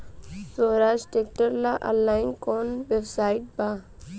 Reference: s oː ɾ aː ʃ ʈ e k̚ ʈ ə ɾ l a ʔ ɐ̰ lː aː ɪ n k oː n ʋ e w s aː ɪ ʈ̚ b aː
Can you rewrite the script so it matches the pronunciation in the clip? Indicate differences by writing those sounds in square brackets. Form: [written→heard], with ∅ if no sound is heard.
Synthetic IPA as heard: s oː ɾ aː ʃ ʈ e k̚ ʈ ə ɾ l a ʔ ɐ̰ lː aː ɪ n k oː n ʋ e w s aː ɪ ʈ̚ b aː